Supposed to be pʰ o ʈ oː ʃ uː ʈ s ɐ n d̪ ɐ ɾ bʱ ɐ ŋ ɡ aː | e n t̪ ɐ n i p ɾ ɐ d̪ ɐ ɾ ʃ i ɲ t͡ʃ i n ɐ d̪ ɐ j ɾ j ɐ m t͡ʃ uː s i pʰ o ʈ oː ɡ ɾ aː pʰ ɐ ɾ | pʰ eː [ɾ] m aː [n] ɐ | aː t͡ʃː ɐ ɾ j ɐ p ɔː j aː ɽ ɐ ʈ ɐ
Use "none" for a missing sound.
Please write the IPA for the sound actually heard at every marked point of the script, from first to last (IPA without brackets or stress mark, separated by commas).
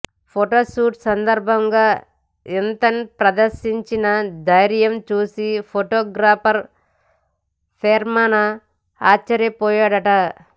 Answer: ɾ, n